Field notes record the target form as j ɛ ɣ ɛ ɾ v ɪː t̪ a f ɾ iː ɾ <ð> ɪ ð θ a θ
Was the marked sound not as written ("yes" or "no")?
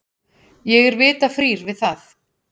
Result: yes